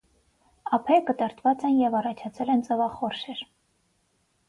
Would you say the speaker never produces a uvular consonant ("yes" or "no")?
no